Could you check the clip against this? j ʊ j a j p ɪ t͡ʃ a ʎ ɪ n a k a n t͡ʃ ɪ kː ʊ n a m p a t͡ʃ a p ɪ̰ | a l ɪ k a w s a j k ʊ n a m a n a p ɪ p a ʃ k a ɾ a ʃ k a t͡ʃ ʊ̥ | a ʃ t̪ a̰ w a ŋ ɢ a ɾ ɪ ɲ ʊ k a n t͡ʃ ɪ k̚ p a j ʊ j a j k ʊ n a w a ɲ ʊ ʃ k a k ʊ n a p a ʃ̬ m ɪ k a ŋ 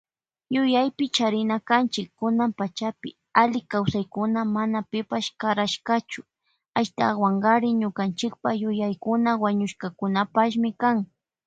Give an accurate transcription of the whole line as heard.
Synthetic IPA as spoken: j ʊ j a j p ɪ t͡ʃ a ɾ ɪ n a k a n t͡ʃ ɪ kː ʊ n a m p a t͡ʃ a p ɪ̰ | a l ɪ k a w s a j k ʊ n a m a n a p ɪ p a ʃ k a ɾ a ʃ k a t͡ʃ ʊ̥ | a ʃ t̪ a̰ w a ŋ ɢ a ɾ ɪ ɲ ʊ k a n t͡ʃ ɪ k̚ p a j ʊ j a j k ʊ n a w a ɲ ʊ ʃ k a k ʊ n a p a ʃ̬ m ɪ k a ŋ